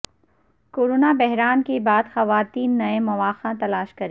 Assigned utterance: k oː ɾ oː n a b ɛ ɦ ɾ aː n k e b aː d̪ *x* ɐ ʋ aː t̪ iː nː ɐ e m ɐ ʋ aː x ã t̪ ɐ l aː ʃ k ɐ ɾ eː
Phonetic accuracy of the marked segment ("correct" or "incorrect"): correct